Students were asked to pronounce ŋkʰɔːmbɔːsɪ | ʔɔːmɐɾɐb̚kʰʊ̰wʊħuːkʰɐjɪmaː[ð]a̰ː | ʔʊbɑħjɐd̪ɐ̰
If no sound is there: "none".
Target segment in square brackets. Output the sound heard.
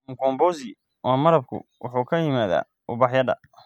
ð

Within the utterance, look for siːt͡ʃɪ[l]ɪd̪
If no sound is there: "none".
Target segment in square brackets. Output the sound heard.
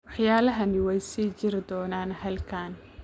ɾ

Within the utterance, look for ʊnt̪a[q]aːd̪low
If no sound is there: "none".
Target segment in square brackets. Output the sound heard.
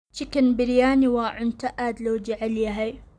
ʔ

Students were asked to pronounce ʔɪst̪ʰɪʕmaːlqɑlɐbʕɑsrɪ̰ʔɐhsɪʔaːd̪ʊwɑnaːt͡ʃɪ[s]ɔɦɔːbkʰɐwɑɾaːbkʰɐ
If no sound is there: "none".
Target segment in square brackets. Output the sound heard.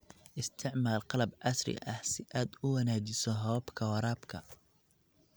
s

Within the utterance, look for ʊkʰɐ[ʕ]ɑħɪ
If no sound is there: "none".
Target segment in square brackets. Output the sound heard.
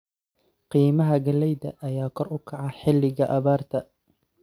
ʕ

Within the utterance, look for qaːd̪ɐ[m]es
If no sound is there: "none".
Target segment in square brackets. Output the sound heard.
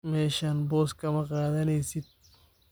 n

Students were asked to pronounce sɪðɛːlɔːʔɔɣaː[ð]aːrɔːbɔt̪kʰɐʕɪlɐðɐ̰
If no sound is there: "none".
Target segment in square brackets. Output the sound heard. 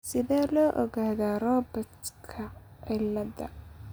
ð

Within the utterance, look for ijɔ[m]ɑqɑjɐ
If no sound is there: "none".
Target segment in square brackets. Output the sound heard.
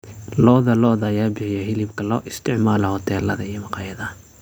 m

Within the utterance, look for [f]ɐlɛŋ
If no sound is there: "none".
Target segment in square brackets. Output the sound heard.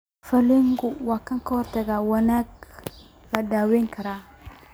f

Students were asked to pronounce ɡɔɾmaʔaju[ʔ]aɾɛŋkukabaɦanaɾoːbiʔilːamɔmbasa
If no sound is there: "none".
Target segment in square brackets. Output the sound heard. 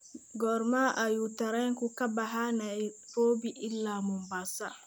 t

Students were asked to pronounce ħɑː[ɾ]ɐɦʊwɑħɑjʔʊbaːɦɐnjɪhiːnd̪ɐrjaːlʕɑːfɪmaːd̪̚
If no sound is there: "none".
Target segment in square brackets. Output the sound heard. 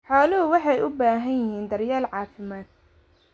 l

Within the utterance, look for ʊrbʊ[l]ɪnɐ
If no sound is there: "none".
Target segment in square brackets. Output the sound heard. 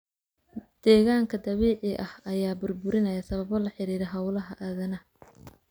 ɾ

